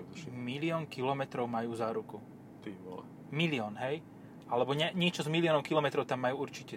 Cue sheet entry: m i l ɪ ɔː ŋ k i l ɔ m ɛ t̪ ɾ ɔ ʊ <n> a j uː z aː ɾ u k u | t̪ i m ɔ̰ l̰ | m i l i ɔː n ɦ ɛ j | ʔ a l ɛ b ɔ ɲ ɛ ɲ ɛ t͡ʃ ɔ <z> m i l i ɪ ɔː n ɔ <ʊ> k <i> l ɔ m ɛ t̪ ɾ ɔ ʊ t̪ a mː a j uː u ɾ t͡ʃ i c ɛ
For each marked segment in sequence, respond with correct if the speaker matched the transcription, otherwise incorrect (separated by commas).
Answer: incorrect, correct, correct, correct